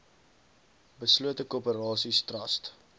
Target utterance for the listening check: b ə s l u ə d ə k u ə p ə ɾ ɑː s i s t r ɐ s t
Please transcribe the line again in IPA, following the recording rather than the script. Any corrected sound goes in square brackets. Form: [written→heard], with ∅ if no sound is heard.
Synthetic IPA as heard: b ə s l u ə [d→t] ə k u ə p ə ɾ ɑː s i s t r ɐ s t